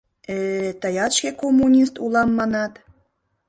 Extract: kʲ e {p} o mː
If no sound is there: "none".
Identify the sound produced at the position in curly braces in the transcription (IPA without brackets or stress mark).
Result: k